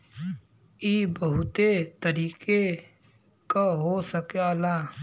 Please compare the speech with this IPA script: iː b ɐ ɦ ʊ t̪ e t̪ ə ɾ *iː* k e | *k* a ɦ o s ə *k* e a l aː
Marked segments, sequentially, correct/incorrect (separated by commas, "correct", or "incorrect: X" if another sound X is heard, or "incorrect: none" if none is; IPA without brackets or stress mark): correct, correct, correct